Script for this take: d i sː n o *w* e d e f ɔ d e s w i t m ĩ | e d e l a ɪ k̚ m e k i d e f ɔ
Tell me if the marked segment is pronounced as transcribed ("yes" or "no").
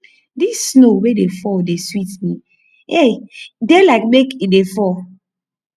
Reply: yes